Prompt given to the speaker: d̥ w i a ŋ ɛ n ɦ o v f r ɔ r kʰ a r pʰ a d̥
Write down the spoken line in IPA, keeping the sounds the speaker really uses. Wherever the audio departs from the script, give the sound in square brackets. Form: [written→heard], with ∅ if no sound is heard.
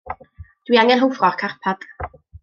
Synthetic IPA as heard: d̥ w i a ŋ ɛ n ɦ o [v→w] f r ɔ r kʰ a r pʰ a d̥